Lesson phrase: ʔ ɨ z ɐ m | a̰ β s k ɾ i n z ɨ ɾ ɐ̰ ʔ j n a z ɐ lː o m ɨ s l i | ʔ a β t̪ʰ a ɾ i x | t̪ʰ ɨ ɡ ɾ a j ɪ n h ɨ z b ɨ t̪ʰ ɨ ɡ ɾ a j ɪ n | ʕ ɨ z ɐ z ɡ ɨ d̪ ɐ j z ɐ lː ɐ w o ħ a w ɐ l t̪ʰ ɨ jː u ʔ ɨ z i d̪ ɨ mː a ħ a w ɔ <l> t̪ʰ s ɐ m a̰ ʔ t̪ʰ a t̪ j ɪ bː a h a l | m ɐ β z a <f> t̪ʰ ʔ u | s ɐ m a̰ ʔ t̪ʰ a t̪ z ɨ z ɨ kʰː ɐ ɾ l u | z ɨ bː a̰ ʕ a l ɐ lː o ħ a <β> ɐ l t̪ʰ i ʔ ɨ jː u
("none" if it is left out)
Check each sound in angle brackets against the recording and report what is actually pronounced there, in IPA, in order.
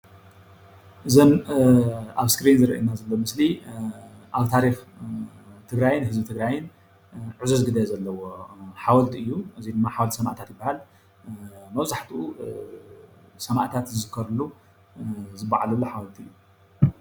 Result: l, ħ, w

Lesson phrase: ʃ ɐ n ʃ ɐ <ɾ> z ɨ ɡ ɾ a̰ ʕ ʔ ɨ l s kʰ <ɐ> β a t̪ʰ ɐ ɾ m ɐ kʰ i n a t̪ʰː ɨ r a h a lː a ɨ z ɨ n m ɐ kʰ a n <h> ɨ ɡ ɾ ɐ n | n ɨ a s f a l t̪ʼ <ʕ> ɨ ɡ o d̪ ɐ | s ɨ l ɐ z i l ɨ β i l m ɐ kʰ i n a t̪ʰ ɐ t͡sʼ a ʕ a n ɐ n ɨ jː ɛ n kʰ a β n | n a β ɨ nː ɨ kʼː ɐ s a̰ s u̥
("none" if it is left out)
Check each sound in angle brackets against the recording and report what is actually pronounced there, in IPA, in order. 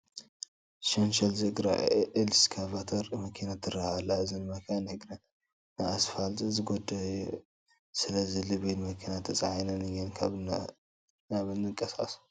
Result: l, a, h, z

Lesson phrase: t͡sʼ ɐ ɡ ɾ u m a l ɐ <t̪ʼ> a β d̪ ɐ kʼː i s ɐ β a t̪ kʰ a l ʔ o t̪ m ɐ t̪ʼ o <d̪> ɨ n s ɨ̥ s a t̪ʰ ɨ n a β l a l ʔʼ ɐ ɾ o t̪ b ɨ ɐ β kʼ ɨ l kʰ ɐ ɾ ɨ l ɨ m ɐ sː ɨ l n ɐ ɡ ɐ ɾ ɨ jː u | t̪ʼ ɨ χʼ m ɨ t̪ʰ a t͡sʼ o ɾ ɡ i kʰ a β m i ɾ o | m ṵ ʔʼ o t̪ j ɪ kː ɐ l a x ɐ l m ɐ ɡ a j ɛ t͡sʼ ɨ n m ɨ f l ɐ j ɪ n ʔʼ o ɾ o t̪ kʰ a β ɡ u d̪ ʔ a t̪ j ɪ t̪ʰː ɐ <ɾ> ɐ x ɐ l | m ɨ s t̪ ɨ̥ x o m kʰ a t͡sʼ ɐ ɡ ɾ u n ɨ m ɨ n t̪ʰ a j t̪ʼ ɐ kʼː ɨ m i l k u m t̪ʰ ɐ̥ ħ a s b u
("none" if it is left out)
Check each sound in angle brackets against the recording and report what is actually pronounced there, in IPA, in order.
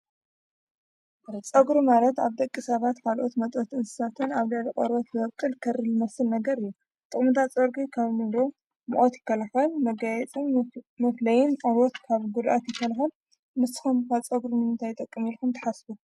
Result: t̪, t̪, l

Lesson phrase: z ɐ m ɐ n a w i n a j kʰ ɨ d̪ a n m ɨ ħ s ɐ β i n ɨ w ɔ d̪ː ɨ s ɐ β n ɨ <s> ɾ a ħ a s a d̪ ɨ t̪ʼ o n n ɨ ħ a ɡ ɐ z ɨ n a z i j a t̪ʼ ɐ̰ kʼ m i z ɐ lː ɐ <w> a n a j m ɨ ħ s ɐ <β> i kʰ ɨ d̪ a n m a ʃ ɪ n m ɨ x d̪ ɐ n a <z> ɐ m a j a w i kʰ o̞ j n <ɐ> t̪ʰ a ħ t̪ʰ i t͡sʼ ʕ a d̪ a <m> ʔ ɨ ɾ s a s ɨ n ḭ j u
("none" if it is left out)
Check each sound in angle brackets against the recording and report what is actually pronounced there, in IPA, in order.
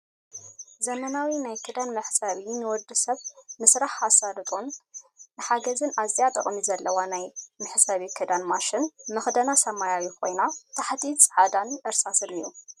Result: s, w, β, s, a, n

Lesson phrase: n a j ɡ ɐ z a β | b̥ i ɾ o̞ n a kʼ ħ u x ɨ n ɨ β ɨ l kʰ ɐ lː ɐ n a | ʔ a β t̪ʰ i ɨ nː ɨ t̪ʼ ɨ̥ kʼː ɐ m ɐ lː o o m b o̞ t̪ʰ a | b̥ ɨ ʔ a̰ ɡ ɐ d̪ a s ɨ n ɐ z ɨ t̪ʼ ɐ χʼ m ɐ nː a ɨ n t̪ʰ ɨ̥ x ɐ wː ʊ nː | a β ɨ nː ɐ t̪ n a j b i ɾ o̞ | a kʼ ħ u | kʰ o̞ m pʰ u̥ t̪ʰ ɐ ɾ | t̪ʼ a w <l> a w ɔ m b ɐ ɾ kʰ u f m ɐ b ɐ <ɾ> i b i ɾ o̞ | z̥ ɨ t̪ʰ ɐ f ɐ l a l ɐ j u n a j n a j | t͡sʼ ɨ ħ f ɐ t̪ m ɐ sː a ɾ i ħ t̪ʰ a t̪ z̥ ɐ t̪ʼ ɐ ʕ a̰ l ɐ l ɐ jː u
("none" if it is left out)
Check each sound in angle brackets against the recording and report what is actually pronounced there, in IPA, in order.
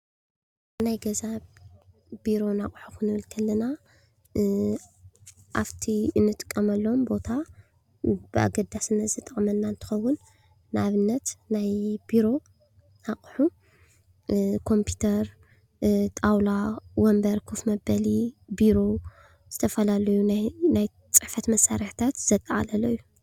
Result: l, l

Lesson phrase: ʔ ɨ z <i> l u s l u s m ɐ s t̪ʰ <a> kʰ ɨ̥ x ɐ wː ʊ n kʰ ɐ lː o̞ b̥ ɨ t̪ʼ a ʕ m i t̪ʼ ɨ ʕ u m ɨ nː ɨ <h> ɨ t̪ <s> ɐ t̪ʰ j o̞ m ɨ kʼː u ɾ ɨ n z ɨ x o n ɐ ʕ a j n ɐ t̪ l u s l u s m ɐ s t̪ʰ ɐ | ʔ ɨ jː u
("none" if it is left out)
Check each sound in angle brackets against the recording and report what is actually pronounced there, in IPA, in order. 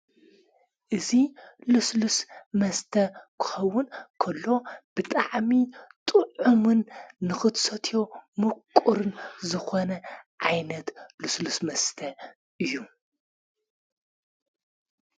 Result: i, ɐ, x, s

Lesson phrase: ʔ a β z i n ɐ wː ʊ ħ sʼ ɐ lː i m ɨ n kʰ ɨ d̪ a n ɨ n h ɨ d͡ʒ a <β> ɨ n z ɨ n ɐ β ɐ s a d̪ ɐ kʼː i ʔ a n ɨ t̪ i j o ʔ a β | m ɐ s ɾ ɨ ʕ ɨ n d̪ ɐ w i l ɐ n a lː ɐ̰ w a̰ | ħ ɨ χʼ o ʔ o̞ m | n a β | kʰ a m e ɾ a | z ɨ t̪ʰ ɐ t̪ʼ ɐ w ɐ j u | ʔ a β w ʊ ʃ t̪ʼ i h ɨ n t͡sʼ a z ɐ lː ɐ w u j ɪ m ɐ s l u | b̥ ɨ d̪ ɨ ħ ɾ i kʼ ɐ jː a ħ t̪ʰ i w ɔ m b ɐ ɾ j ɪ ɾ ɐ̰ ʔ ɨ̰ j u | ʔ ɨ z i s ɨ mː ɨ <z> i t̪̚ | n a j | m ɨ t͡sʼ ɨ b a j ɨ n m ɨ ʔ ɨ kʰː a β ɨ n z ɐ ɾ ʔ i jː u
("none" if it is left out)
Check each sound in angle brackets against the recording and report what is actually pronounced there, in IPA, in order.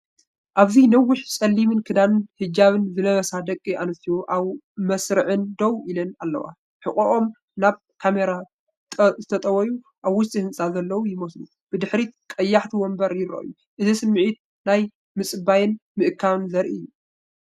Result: β, ʕ

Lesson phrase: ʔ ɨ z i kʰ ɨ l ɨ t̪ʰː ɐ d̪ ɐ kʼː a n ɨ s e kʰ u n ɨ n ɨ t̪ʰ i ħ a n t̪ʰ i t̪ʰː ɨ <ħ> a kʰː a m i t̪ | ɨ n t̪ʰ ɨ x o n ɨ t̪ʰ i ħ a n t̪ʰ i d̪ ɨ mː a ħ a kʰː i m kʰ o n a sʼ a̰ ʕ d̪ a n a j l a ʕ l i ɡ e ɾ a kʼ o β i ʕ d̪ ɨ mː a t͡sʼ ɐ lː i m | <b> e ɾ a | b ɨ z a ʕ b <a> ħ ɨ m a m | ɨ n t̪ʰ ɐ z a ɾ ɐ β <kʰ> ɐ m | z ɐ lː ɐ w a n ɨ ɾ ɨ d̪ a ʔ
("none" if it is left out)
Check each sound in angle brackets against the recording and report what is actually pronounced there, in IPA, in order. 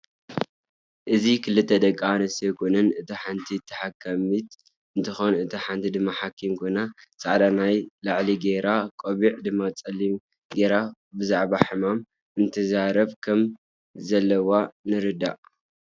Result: ħ, ɡ, a, kʰ

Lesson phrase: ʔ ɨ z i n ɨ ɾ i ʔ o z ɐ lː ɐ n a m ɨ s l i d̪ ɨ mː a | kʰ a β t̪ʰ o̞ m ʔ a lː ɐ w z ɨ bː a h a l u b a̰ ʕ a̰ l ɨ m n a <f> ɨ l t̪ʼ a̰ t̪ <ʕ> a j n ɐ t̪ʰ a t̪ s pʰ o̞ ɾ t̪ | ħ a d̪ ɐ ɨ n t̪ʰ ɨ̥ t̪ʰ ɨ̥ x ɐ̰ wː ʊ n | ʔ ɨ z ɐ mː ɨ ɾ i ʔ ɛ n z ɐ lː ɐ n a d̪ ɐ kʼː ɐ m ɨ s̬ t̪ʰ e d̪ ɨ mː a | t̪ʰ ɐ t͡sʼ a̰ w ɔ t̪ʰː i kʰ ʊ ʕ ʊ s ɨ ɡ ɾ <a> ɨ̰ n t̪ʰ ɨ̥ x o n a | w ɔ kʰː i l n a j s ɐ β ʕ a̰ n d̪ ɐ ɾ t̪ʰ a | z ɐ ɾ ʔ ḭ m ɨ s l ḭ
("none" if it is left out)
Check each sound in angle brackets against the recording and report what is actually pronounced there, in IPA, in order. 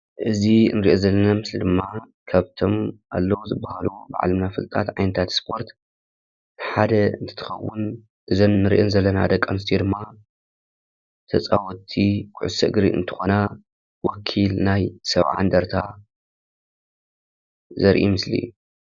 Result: f, ʕ, i

